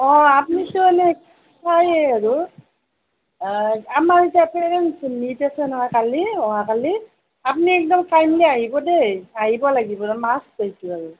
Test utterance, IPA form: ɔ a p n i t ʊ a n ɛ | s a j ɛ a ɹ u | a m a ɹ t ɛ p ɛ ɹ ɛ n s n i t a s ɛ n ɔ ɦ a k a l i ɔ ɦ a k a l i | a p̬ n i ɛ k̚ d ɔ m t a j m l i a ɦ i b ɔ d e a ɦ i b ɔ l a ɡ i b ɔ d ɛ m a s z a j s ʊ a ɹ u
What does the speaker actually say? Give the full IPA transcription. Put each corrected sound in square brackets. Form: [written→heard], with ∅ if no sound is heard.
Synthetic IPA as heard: ɔ a p n i t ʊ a n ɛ | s a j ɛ a ɹ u | a m a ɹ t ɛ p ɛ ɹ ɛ n s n i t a s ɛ n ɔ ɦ a k a l i ɔ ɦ a k a l i | a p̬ n i ɛ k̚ d ɔ m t a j m l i a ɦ i b ɔ d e a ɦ i b ɔ l a ɡ i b ɔ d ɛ m a s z a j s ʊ a ɹ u